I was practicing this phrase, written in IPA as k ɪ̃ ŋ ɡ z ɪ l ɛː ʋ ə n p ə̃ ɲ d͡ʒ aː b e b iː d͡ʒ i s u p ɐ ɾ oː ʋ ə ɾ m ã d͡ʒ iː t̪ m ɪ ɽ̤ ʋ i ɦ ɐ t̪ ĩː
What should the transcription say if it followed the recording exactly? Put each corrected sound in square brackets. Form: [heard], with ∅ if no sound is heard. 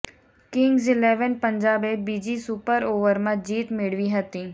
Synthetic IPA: k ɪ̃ ŋ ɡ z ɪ l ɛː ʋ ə n p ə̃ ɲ d͡ʒ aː b e b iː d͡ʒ i s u p [ə] ɾ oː ʋ ə ɾ m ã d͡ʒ iː t̪ m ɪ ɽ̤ ʋ i ɦ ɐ t̪ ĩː